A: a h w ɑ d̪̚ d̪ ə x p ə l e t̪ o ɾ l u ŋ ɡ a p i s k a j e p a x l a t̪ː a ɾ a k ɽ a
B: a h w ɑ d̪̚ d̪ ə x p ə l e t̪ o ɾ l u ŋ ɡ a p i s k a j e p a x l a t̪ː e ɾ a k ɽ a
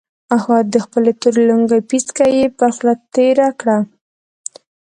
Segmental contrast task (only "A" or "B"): B